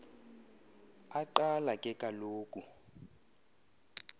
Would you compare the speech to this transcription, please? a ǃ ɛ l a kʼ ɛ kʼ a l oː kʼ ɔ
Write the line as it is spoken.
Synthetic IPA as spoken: a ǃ a l a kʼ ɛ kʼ a l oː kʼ u